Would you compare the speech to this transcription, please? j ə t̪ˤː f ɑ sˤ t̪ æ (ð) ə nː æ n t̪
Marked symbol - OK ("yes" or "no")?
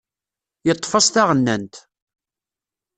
no